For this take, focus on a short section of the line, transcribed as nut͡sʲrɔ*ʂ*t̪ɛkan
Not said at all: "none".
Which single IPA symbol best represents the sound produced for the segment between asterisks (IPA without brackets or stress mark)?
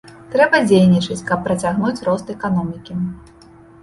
s